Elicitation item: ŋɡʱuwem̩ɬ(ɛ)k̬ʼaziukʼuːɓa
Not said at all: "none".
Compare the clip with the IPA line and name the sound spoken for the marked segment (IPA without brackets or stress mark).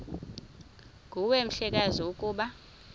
ɛ